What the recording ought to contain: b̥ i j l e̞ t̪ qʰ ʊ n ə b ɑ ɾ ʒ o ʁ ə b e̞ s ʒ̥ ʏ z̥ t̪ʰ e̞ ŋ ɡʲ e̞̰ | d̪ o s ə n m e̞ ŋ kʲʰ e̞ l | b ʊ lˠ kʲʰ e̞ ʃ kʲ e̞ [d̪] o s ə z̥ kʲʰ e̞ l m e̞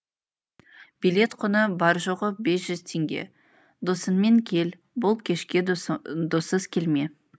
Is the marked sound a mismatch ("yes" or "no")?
no